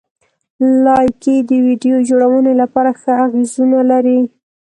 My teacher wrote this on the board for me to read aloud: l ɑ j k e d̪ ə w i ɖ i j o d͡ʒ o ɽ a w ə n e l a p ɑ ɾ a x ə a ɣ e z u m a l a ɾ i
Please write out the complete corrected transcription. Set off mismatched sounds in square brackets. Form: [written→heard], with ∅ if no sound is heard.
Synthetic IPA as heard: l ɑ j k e d̪ ə w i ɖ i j o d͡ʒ o ɽ a w ə n e l a p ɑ ɾ a x ə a ɣ e z u [m→n] a l a ɾ i